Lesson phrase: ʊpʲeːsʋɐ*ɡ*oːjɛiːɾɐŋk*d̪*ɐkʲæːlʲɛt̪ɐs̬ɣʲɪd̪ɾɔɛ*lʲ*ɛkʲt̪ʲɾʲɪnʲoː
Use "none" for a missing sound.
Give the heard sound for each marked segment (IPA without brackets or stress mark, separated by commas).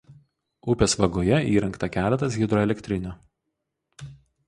ɡ, t̪, lʲ